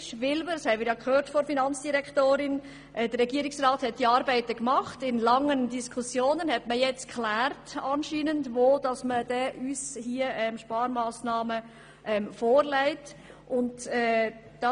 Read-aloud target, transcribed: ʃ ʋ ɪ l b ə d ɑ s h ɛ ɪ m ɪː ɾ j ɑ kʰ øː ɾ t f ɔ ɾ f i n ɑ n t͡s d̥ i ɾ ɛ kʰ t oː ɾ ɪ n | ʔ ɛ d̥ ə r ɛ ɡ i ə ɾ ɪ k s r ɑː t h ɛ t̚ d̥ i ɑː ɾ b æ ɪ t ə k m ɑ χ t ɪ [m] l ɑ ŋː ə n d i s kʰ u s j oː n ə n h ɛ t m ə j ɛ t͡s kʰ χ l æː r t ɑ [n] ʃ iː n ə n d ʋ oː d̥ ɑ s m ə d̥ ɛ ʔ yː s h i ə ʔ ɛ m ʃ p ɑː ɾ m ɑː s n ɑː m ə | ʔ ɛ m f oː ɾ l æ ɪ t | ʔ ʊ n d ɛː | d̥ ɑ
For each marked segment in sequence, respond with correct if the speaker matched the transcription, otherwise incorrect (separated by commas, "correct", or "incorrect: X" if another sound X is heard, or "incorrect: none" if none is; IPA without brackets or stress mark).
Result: incorrect: n, correct